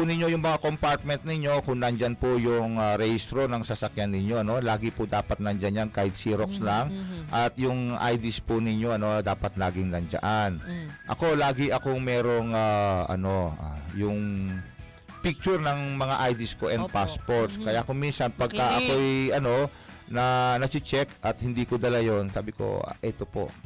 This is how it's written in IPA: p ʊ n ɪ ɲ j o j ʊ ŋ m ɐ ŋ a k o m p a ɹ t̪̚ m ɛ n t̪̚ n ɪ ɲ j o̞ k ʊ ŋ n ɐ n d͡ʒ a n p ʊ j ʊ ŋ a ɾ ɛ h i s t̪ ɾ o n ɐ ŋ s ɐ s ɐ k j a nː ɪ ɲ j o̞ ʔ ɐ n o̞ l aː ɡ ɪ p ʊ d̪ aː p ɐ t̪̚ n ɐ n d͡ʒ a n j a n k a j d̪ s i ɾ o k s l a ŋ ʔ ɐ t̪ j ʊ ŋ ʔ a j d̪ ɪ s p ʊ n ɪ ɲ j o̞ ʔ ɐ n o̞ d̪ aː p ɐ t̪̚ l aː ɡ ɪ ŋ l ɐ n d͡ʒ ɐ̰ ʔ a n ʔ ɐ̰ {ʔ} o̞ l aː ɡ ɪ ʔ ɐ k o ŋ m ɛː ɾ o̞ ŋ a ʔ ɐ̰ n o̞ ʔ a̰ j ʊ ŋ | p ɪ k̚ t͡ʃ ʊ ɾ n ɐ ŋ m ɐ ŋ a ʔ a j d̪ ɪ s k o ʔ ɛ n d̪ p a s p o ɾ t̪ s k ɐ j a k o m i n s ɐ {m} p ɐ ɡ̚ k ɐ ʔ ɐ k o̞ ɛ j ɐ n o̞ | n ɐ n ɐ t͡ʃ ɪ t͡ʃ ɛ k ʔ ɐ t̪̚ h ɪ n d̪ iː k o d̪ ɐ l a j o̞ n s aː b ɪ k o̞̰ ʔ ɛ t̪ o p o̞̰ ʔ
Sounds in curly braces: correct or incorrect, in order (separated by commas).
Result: incorrect, incorrect